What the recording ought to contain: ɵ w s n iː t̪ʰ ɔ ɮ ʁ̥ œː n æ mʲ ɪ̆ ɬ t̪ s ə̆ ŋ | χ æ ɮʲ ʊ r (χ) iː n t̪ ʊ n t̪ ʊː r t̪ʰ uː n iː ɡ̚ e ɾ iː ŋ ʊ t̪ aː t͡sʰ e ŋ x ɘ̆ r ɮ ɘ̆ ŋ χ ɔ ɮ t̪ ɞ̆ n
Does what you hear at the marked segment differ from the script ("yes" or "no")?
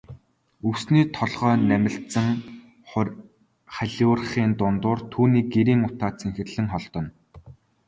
no